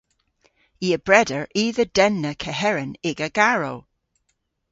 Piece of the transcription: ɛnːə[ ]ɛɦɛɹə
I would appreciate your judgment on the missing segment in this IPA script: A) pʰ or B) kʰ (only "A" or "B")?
B